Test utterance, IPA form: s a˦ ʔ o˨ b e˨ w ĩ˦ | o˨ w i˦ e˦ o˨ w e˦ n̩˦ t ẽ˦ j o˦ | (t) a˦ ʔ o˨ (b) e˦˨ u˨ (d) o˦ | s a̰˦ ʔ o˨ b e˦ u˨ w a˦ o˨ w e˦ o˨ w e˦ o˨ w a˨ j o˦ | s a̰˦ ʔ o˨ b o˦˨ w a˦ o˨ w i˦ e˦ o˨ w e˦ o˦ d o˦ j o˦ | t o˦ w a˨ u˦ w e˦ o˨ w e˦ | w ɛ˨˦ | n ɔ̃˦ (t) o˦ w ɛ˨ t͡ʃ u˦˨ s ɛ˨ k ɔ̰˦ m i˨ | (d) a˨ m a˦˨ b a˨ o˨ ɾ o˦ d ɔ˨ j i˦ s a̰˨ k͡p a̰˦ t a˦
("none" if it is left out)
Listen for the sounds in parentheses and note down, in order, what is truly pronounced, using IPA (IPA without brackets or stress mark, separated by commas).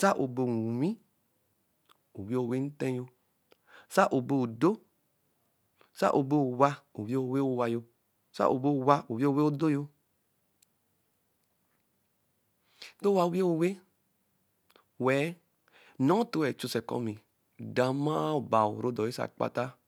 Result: s, b, d, t, d